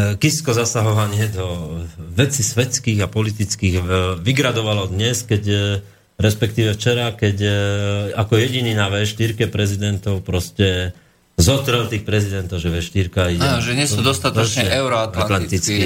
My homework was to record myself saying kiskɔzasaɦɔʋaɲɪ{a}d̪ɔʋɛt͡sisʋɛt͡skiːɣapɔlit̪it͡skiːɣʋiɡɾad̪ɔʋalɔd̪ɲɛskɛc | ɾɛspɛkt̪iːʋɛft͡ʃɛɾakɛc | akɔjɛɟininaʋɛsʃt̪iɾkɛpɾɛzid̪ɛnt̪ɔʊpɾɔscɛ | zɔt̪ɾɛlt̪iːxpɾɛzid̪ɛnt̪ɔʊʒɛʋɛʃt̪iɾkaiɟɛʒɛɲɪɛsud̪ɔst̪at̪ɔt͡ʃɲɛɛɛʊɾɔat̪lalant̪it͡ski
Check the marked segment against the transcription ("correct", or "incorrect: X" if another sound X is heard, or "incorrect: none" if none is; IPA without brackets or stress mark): incorrect: ɛ